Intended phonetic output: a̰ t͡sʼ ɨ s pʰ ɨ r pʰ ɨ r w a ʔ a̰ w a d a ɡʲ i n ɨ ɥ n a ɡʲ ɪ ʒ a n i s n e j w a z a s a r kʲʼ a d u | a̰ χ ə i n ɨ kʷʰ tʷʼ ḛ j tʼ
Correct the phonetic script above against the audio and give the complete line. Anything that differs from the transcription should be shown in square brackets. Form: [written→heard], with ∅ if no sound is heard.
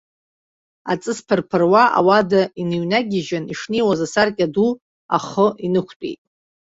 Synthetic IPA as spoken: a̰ t͡sʼ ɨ s pʰ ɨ r pʰ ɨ r w a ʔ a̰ w a d a [ɡʲ→∅] i n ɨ ɥ n a ɡʲ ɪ ʒ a n i [s→ʂ] n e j w a z a s a r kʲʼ a d u | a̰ χ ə i n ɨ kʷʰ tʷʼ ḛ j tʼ